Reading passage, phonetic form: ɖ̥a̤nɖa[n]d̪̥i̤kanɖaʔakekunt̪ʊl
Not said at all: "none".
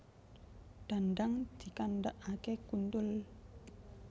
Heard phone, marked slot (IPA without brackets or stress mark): ŋ